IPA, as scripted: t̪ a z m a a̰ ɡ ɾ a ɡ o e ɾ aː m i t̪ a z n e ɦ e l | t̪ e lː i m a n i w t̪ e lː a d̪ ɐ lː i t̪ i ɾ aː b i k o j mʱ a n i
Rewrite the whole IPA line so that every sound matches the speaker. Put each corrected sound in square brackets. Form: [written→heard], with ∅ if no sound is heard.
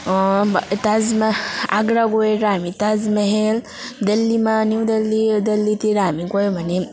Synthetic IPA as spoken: t̪ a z m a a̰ ɡ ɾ a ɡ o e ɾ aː m i t̪ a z [n→m] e ɦ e l | [t̪→d̪] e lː i m a n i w [t̪→d̪] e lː [a→i] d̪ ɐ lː i t̪ i ɾ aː [b→m] i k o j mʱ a n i